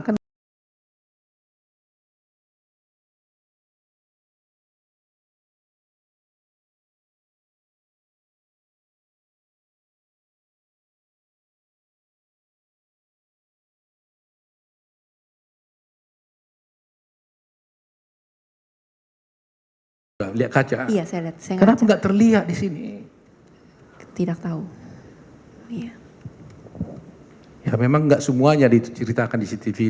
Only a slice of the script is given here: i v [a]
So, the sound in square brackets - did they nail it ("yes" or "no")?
no